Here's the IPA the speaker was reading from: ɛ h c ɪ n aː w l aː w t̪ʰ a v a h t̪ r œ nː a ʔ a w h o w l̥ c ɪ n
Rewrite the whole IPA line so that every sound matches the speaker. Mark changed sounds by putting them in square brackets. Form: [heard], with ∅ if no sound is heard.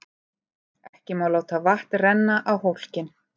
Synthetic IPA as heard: ɛ h c ɪ [m] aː w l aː w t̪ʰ a v a h t̪ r [ɛ] nː a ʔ a w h o w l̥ c ɪ n